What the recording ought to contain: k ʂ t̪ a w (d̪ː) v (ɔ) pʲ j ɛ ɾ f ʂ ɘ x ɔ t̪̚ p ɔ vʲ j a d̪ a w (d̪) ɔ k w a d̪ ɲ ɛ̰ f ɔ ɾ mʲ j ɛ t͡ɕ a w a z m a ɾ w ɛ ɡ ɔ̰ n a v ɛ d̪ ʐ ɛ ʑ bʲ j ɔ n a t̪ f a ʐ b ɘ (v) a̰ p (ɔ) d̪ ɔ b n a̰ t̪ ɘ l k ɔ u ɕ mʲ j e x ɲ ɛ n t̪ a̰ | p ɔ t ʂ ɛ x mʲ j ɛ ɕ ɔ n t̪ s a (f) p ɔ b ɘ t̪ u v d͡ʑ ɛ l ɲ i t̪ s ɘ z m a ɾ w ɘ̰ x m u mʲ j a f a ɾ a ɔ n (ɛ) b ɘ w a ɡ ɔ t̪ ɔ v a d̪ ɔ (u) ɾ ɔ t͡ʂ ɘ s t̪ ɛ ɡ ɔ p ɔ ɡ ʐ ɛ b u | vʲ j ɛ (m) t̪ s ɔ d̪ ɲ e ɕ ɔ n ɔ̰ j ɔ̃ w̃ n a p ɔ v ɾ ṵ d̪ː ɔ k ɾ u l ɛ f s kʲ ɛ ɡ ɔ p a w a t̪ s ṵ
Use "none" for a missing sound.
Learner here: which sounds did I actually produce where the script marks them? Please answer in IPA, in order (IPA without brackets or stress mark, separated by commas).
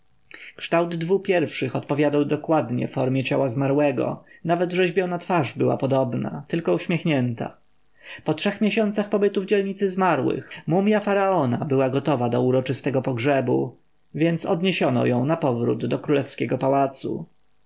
d̪ː, u, d̪, w, ɔ, x, a, u, n